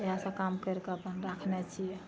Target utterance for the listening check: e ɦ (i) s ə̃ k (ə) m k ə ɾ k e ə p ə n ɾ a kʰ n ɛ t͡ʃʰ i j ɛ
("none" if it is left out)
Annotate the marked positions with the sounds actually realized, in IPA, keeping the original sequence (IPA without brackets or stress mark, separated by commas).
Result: a, a